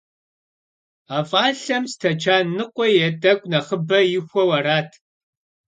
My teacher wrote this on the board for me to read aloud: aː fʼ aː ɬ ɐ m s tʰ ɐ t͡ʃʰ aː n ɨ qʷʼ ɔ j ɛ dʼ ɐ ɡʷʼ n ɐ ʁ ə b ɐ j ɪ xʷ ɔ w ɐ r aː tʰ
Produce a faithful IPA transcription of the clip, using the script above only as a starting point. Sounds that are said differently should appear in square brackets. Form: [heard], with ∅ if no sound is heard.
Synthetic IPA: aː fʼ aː ɬ ɐ m s tʰ ɐ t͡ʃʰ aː n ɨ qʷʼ ɔ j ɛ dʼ ɐ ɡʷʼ n ɐ [χ] ə b ɐ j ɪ xʷ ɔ w ɐ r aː tʰ